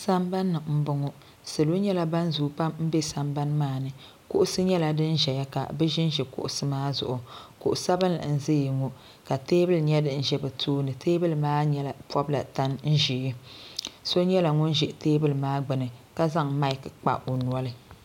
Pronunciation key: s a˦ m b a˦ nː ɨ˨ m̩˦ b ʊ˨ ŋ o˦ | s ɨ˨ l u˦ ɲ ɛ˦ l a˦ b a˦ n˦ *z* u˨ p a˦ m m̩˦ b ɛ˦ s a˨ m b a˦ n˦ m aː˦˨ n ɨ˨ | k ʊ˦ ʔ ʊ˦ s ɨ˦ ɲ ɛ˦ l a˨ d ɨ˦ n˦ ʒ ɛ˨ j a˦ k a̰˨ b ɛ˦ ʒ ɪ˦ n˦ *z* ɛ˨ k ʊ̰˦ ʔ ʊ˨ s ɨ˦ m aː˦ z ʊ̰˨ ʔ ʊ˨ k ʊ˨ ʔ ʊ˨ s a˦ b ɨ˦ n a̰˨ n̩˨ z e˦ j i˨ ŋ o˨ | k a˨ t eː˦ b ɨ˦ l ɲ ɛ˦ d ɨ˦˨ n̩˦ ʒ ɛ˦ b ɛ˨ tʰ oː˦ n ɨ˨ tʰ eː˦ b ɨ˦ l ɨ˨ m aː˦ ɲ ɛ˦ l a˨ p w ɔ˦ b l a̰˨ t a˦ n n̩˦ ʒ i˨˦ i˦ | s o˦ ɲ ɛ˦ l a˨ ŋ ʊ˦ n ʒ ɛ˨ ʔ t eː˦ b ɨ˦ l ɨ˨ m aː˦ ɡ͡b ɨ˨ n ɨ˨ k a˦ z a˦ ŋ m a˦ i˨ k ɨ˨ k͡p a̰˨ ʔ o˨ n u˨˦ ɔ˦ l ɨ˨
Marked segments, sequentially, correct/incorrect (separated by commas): correct, incorrect